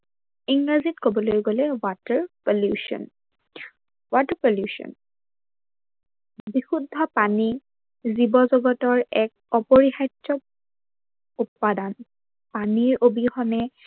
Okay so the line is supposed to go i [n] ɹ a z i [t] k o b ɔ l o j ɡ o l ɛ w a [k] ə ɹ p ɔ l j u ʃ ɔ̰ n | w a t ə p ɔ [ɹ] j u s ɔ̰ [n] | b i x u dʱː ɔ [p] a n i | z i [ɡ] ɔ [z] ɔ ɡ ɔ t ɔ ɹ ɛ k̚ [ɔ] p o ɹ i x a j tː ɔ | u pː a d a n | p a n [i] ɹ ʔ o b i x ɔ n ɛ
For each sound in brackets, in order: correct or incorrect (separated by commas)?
incorrect, correct, incorrect, incorrect, correct, correct, incorrect, correct, correct, correct